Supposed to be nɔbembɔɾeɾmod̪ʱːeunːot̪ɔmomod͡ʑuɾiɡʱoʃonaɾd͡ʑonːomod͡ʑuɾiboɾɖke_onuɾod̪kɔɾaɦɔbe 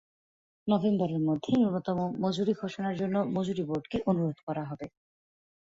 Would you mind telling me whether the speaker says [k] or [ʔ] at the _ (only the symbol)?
ʔ